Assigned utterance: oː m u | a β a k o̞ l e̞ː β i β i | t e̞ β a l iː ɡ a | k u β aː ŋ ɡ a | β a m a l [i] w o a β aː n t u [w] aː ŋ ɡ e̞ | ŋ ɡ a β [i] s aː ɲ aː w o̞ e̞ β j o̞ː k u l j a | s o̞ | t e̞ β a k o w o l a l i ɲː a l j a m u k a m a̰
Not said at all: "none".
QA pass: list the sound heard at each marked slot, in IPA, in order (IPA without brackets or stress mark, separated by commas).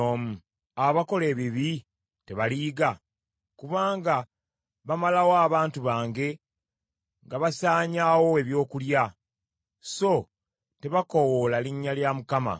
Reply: a, β, a